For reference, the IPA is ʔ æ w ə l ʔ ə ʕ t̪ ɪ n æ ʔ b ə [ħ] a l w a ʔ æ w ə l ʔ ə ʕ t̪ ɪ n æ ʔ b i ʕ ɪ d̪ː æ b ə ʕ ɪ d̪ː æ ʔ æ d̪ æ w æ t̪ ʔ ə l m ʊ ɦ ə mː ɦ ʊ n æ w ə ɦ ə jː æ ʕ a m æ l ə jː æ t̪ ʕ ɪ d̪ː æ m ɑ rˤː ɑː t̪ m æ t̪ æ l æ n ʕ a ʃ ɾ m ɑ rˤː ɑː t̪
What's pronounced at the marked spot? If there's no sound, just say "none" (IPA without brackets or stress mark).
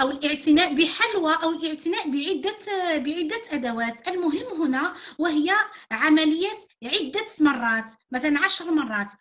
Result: ħ